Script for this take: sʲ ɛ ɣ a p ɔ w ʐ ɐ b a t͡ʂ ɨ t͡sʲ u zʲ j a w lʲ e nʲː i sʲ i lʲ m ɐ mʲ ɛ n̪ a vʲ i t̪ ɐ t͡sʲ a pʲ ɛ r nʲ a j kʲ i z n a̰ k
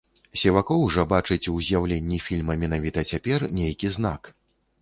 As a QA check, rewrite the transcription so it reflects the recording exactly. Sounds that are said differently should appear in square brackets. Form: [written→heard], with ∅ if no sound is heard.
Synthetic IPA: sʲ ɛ [ɣ→v] a [p→k] ɔ w ʐ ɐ b a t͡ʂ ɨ t͡sʲ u zʲ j a w lʲ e nʲː i [sʲ→fʲ] i lʲ m ɐ mʲ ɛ n̪ a vʲ i t̪ ɐ t͡sʲ a pʲ ɛ r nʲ [a→e] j kʲ i z n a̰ k